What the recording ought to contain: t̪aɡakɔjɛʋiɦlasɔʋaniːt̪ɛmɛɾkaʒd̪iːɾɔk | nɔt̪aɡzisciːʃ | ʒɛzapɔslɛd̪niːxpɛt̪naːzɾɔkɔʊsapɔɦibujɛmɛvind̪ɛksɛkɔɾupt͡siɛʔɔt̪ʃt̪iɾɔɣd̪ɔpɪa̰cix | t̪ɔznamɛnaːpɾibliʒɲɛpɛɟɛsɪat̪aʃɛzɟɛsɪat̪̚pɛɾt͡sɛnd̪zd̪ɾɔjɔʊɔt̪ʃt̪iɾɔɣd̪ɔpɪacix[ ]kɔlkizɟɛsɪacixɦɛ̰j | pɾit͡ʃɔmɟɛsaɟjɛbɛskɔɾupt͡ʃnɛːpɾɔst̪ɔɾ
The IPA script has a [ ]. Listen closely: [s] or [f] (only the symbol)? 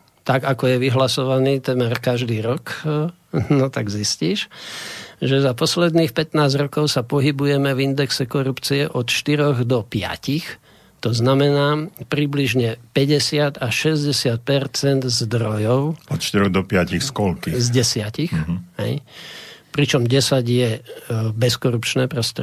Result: s